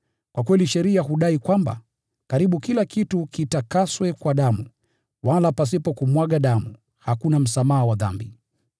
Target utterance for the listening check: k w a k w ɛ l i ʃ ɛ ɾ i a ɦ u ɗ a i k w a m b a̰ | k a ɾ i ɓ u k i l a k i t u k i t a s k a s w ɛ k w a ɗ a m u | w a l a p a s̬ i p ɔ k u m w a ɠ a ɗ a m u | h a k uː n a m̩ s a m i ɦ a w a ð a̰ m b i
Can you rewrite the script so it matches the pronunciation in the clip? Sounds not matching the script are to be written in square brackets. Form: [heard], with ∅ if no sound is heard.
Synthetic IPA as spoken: k w a k w ɛ l i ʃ ɛ ɾ i a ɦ u ɗ a i k w a m b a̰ | k a ɾ i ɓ u k i l a k i t u k i t a [∅] k a s w ɛ k w a ɗ a m u | w a l a p a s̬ i p ɔ k u m w a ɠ a ɗ a m u | h a k [u] n a m̩ s a m [a] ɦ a w a ð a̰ m b i